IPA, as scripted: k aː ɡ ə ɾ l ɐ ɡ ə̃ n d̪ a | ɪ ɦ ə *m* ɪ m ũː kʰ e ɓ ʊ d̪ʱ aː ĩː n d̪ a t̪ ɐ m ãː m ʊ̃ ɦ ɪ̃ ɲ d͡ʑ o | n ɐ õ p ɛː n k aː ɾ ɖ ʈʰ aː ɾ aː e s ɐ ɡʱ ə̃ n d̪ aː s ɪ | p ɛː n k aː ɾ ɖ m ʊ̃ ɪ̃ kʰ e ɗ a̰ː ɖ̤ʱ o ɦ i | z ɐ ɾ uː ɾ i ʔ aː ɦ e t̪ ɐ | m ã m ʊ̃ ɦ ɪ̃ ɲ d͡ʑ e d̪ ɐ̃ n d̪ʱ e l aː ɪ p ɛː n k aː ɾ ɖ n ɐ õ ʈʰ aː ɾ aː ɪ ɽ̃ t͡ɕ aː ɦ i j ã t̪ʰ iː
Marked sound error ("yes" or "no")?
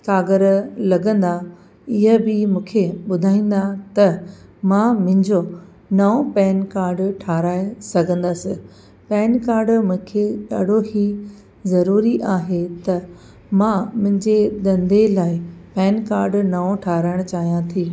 yes